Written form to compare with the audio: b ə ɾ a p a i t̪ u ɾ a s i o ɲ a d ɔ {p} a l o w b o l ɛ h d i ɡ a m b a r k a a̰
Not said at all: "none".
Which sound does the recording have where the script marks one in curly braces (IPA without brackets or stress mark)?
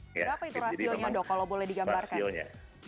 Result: k